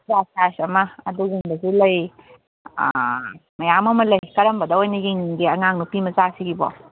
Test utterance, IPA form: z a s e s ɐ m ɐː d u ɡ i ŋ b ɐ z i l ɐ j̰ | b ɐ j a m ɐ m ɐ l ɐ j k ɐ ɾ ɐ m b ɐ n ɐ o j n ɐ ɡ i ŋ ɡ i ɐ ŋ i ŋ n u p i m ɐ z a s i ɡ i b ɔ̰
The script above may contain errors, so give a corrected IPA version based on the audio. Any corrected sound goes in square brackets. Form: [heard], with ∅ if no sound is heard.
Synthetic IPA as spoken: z a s [a] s ɐ m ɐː d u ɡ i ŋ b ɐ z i l ɐ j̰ | [m] ɐ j a m ɐ m ɐ l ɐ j k ɐ ɾ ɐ m b ɐ [d] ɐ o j n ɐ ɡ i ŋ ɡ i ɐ ŋ [a] ŋ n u p i m ɐ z a s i ɡ i b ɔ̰